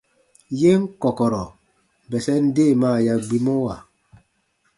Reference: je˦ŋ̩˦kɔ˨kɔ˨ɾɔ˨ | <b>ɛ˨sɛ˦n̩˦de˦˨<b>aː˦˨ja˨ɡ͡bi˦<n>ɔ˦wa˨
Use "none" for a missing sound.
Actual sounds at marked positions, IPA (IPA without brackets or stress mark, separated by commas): b, m, m